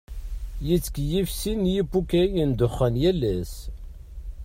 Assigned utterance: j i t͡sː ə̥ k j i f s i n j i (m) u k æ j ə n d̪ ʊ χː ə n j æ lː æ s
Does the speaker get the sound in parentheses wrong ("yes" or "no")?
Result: yes